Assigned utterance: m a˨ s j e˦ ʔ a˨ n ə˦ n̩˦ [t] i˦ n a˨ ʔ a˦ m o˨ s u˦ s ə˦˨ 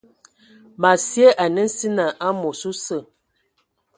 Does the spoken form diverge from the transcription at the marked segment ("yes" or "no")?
yes